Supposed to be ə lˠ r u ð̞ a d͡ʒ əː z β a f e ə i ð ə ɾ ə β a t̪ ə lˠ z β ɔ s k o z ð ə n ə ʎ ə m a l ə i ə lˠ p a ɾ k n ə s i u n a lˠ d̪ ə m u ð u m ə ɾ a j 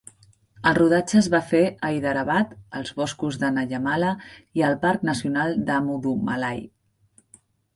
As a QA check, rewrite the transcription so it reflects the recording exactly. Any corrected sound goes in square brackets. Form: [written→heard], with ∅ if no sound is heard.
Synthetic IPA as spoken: ə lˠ r u ð̞ a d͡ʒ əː z β a f e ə i ð ə ɾ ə β a t̪ ə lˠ z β ɔ s k [o→u] z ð ə n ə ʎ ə m a l ə i ə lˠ p a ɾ k n ə s i u n a lˠ d̪ ə m u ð u m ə [ɾ→l] a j